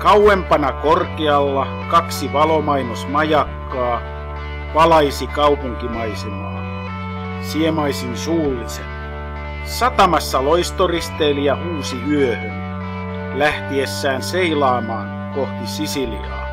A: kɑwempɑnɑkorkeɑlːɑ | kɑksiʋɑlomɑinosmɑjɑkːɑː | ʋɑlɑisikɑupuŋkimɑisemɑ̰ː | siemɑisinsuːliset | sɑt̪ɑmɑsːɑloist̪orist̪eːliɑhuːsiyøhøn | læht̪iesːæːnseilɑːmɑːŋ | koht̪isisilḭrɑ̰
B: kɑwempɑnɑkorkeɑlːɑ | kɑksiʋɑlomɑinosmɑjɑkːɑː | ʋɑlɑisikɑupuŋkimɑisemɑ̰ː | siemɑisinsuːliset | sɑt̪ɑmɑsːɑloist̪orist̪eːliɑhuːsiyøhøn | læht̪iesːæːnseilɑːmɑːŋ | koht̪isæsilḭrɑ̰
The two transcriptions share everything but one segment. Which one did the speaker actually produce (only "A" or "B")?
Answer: A